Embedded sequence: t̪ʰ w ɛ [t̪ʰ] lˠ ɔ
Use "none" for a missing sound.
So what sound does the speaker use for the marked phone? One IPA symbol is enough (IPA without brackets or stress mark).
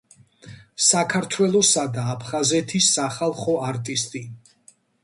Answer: none